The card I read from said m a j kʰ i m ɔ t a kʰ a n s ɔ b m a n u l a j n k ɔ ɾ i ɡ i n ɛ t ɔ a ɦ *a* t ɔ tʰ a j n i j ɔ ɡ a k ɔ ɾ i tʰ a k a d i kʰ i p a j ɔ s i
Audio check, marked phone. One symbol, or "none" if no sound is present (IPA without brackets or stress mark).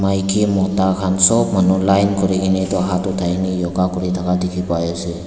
a